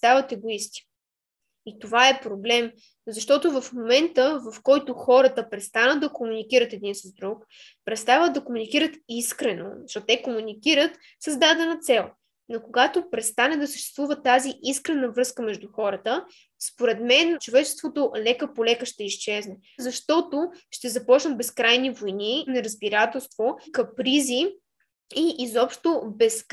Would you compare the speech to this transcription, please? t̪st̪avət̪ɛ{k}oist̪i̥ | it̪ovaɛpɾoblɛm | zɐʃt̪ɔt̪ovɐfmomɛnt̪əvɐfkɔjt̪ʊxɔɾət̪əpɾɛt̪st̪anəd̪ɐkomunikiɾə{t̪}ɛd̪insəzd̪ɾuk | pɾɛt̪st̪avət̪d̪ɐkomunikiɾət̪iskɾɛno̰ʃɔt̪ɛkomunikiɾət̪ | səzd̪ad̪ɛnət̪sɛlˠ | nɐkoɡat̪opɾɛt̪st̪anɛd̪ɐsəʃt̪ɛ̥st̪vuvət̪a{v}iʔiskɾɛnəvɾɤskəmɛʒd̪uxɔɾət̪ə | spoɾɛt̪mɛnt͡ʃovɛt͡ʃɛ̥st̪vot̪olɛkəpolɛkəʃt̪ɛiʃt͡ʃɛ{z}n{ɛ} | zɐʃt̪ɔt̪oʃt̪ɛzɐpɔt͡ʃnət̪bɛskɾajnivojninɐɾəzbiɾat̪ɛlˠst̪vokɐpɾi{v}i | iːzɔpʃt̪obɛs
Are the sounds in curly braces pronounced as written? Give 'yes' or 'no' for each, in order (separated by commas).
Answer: no, yes, no, yes, yes, no